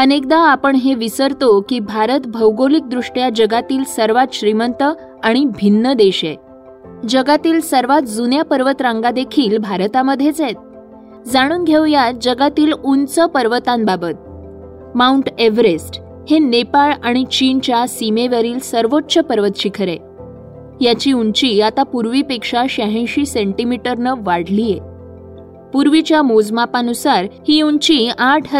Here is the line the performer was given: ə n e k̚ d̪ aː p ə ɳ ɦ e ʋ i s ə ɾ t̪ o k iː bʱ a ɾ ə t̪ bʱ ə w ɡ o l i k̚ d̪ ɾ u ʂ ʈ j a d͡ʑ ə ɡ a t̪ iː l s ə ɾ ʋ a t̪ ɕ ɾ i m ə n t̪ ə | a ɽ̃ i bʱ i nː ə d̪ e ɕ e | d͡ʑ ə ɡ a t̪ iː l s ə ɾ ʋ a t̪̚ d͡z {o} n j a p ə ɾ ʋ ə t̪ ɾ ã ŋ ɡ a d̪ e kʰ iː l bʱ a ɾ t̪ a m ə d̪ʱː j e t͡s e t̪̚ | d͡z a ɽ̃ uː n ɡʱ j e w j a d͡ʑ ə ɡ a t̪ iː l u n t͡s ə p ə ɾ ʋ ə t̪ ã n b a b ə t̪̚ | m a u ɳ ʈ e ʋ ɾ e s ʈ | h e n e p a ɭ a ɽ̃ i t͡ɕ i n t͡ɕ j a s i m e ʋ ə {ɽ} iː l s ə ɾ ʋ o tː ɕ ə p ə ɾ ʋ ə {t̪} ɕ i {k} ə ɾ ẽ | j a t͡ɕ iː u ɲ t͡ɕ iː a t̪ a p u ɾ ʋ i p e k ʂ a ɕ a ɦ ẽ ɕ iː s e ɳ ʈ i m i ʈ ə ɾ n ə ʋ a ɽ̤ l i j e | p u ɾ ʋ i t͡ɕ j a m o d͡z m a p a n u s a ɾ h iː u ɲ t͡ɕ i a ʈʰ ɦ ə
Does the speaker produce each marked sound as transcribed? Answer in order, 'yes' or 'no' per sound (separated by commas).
no, no, yes, no